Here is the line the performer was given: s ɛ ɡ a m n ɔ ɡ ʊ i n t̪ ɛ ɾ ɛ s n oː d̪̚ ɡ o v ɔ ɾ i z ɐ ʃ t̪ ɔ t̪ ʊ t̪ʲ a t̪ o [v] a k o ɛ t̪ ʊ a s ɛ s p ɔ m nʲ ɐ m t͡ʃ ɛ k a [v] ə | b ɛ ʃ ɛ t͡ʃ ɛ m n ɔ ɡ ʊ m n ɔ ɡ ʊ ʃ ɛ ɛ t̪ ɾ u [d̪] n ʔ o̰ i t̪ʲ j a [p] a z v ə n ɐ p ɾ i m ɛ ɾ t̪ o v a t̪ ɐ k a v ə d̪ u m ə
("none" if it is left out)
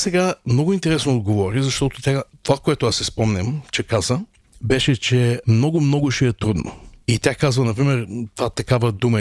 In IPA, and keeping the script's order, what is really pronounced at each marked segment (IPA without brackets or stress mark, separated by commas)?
v, z, d̪, k